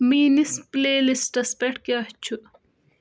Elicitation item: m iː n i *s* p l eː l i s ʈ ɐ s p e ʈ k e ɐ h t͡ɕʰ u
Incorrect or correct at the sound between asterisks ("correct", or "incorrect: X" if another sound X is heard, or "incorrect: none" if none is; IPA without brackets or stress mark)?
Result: correct